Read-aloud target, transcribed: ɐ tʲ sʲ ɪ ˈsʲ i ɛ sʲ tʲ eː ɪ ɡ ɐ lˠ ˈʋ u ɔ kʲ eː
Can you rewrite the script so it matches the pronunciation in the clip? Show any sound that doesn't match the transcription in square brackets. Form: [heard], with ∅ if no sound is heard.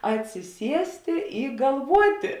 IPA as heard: ɐ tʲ sʲ ɪ ˈsʲ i ɛ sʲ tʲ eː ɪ ɡ ɐ lˠ ˈʋ u ɔ [tʲ] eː